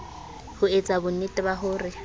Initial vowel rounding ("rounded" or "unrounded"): rounded